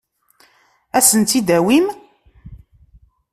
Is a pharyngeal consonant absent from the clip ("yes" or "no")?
yes